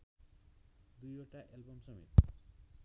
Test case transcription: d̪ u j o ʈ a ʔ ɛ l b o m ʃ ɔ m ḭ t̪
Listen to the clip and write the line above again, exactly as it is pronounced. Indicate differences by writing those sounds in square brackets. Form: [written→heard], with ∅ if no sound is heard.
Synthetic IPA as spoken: d̪ u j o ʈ a ʔ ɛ l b o m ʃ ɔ m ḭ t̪